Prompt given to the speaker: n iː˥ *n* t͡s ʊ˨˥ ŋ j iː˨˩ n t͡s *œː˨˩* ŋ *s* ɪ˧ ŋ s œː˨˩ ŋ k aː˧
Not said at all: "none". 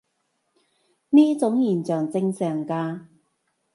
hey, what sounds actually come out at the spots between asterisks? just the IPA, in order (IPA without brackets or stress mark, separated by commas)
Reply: none, œː˨˩, t͡s